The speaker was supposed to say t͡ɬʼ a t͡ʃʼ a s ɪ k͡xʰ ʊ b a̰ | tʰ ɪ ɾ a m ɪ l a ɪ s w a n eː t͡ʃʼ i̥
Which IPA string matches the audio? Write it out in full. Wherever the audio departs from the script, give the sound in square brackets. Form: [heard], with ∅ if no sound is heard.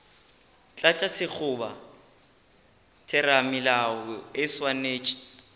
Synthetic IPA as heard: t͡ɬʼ a t͡ʃʼ a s ɪ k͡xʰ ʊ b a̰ | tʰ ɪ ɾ a m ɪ l a ɪ s w a n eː t͡ʃʼ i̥